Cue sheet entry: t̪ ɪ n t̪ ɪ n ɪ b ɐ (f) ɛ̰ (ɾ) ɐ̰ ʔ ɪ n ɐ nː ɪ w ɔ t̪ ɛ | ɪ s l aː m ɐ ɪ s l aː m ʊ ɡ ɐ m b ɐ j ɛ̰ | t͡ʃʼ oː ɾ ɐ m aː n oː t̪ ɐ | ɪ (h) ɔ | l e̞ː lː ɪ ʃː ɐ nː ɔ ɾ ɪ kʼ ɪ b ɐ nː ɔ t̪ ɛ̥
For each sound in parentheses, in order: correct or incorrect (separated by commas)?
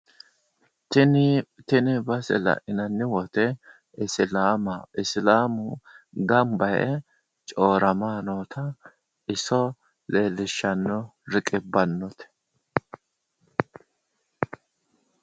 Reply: incorrect, incorrect, incorrect